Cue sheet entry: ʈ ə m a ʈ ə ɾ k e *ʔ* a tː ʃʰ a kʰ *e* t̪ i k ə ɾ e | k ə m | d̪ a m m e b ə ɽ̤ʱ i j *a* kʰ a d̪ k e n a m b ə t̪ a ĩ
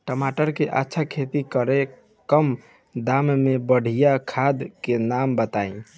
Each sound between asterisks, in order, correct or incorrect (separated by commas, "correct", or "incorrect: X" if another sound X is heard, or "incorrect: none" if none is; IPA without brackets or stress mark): correct, correct, correct